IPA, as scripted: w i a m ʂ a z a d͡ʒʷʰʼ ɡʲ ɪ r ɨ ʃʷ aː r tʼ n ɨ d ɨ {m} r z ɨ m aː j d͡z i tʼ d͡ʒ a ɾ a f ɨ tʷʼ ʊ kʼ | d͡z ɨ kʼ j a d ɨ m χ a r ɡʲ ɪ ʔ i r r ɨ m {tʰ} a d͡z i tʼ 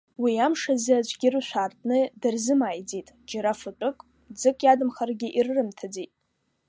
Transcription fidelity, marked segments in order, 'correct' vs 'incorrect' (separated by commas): incorrect, correct